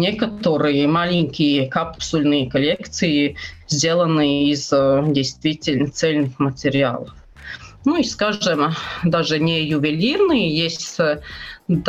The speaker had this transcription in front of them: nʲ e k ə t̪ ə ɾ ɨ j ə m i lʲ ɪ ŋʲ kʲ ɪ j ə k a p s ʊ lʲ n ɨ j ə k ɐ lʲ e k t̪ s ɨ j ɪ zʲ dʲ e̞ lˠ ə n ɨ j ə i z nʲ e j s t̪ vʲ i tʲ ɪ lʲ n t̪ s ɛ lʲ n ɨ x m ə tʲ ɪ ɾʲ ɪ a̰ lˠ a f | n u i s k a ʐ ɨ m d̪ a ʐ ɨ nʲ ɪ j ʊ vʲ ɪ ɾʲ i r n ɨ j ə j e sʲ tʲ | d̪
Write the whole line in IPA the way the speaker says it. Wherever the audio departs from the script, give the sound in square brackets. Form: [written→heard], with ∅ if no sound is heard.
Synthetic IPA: nʲ e k ə t̪ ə ɾ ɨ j ə m [i→a] lʲ ɪ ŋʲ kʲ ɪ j ə k a p s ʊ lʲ n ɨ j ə k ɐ lʲ e k t̪ s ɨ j ɪ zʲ dʲ e̞ lˠ ə n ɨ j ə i z [nʲ→dʲ] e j s t̪ vʲ i tʲ ɪ lʲ n t̪ s ɛ lʲ n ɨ x m ə tʲ ɪ ɾʲ ɪ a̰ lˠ [a→ə] f | n u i s k a ʐ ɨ m d̪ a ʐ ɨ nʲ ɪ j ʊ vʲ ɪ [ɾʲ→lʲ] i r n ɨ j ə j e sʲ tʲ | d̪